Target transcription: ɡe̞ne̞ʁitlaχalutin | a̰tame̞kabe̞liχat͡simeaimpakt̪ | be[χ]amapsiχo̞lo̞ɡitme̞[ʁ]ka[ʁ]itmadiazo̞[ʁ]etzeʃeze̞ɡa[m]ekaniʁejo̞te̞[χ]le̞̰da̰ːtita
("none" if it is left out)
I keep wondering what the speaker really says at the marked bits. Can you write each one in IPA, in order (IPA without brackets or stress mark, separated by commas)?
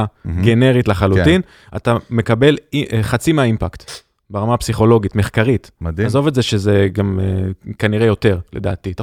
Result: ʁ, χ, ʁ, v, m, ʁ